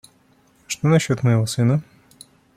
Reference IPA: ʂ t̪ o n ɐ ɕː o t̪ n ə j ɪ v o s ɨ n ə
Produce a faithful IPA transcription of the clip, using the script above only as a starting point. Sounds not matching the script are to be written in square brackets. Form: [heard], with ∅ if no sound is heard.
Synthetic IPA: ʂ t̪ o n ɐ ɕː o t̪ [m] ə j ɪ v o s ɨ n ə